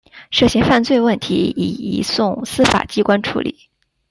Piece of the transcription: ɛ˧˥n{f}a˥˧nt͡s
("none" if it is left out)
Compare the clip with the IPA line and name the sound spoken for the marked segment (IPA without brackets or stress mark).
f